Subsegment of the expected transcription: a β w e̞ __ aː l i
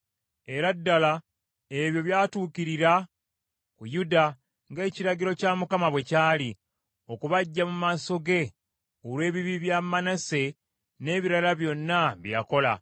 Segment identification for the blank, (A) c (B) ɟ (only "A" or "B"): A